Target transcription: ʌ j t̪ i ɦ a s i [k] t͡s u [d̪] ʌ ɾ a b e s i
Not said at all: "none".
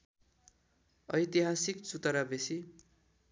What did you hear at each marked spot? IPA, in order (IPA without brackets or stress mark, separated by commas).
k, t̪